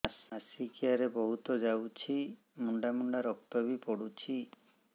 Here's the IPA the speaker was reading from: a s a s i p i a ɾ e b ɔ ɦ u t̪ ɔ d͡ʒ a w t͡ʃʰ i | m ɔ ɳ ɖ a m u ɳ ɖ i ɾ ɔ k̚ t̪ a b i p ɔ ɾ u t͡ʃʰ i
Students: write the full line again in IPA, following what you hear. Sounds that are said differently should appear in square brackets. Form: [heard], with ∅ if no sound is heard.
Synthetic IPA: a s a s i [k] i a ɾ e b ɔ ɦ u t̪ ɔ d͡ʒ a w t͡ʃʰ i | m [u] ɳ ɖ a m u ɳ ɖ [a] ɾ ɔ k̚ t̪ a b i p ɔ [ɽ] u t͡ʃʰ i